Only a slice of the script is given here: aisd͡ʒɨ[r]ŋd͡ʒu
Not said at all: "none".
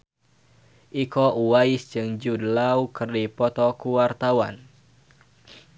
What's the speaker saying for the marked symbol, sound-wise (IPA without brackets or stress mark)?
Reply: none